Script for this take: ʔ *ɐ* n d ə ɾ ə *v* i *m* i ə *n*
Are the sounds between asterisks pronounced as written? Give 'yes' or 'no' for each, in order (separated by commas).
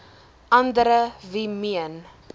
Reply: yes, yes, yes, yes